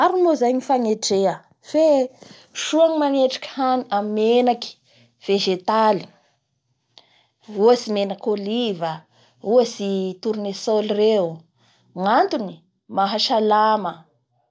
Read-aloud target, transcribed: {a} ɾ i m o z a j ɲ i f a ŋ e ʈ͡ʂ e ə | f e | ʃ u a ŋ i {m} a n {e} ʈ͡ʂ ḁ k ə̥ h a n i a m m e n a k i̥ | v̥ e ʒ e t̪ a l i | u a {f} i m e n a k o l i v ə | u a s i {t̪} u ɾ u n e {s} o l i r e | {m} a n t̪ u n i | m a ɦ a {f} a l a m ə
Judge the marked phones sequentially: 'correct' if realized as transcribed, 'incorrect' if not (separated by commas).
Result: correct, correct, correct, incorrect, correct, correct, incorrect, incorrect